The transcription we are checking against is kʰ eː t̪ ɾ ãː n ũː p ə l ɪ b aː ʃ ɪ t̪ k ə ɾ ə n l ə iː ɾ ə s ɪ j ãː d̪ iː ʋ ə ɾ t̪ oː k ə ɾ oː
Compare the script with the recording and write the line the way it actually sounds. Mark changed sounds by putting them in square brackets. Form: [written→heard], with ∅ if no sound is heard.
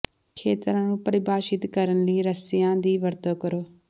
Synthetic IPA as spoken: kʰ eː t̪ ɾ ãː n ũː p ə [l→ɾ] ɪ b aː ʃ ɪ t̪ k ə ɾ ə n l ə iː ɾ ə s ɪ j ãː d̪ iː ʋ ə ɾ t̪ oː k ə ɾ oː